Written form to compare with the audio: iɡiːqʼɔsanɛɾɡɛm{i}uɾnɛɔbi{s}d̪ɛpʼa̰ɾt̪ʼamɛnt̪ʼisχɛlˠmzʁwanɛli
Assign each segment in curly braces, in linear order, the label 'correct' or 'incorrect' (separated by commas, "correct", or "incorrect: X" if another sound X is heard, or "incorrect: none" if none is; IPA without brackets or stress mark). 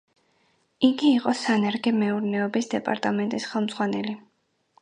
incorrect: ɛ, correct